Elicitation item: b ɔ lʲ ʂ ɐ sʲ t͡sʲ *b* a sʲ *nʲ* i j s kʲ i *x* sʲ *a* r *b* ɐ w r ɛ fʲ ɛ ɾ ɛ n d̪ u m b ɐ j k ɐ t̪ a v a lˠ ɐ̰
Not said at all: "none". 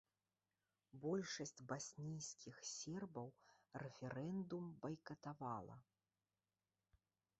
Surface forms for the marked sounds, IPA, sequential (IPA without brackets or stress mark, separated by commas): b, nʲ, x, ɛ, b